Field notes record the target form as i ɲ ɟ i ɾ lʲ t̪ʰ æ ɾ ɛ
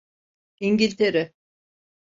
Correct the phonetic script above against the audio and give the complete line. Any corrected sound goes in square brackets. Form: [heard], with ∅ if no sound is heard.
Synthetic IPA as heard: i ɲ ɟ i [∅] lʲ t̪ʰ [e] ɾ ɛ